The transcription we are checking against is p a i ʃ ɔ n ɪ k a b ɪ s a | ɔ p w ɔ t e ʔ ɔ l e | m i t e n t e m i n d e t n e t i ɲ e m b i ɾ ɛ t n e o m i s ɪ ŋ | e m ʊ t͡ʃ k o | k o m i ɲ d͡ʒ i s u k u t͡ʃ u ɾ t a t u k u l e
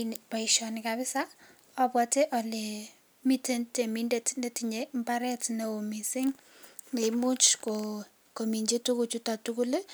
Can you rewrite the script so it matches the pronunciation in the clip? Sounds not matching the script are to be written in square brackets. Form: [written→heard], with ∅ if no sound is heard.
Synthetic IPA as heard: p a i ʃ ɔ n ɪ k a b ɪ s a | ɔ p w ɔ t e ʔ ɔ l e | m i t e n t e m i n d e t n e t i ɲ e m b [i→a] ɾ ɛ t n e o m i s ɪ ŋ | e m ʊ t͡ʃ k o | k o m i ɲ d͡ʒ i [s→t] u k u t͡ʃ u [ɾ→∅] t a t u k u l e

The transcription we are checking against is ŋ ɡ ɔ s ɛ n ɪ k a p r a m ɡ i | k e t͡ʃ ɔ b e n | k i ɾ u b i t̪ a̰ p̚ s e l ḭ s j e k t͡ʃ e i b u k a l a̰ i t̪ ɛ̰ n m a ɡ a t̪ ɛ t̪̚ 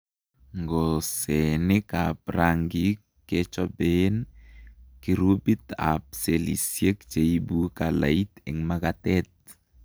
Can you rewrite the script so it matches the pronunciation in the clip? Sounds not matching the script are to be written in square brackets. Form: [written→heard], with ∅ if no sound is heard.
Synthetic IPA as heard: ŋ ɡ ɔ s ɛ n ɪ k a p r a [m→ŋ] ɡ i | k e t͡ʃ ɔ b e n | k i ɾ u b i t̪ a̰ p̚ s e l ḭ s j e k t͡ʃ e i b u k a l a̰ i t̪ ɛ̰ [n→ŋ] m a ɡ a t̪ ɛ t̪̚

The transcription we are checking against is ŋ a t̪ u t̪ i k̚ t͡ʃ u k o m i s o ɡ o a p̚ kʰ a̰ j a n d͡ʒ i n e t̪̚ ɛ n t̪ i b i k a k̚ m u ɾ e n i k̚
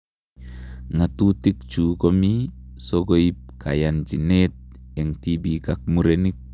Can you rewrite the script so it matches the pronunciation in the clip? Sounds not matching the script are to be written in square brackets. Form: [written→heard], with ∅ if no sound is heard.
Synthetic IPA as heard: ŋ a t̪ u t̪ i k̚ t͡ʃ u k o m i s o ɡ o [a→i] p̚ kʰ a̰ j a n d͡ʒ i n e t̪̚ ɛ [n→ŋ] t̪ i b i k a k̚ m u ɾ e n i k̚

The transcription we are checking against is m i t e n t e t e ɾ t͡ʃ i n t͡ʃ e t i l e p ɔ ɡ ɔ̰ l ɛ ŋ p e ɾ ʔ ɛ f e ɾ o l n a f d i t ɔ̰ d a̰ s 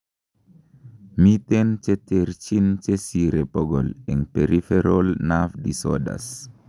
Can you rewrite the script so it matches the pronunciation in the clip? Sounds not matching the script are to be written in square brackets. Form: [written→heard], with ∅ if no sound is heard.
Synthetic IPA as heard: m i t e n [t→t͡ʃ] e t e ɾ t͡ʃ i n t͡ʃ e [t→s] i [l→ɾ] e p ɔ ɡ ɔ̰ l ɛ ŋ p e ɾ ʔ [ɛ→i] f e ɾ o l n a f d i [t→s] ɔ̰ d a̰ s

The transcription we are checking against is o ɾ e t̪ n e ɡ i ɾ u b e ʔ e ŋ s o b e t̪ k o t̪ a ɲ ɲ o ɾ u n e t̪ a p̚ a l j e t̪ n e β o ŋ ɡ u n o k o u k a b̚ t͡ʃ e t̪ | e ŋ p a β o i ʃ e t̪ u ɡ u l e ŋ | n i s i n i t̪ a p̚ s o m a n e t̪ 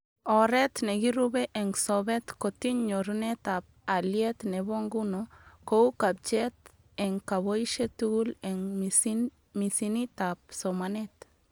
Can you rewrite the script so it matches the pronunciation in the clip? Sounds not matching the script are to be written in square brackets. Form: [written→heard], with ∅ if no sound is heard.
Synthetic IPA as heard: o ɾ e t̪ n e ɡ i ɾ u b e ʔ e ŋ s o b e t̪ k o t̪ [a→i] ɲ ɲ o ɾ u n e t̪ a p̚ a l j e t̪ n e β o ŋ ɡ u n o k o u k a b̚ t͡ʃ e t̪ | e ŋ [p→k] a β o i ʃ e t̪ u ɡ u l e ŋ | [n→m] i s i n i t̪ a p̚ s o m a n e t̪

